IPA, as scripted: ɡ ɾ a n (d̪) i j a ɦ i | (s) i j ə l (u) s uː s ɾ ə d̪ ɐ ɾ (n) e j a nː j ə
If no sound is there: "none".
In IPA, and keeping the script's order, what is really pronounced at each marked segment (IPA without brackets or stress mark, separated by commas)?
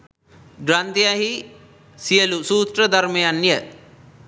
t̪, s, u, m